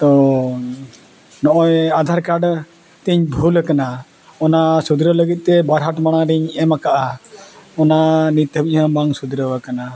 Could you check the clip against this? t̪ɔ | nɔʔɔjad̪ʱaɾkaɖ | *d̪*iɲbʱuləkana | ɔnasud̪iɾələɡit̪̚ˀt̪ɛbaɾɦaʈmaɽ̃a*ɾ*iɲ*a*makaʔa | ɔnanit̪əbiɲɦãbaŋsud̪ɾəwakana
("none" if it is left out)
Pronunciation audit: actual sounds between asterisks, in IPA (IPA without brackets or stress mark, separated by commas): t̪, ɾ, ɛ